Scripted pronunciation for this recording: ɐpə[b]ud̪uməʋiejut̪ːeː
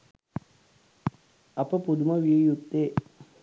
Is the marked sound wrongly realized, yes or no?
yes